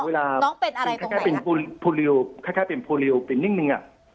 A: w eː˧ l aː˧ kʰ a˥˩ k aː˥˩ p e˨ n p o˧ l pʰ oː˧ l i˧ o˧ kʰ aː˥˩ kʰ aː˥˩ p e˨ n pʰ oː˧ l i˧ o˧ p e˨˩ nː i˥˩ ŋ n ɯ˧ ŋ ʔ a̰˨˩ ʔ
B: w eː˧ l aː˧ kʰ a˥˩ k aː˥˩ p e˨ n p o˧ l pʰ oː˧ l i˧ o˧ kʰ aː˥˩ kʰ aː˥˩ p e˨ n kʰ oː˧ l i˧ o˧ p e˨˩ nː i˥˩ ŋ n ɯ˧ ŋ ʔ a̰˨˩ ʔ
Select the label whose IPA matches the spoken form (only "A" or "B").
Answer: A